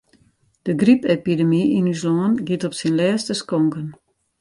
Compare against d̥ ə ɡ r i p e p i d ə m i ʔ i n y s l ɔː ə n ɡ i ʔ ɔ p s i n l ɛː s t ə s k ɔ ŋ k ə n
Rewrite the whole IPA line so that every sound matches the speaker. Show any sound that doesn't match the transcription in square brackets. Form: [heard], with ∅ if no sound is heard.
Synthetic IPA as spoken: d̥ ə ɡ r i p e p i d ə m i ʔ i n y s l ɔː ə n ɡ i [t] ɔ p s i n l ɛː s t ə s k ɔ ŋ k ə n